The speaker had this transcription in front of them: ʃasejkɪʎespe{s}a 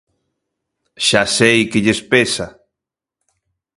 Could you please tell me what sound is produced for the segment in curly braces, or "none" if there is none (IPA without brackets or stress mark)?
s